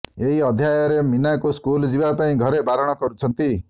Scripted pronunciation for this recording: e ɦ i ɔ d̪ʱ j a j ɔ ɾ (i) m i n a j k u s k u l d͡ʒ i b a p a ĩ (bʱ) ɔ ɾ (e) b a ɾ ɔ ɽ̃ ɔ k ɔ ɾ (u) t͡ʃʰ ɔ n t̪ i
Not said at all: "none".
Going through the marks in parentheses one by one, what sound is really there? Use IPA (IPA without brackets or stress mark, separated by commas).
e, ɡʱ, e, u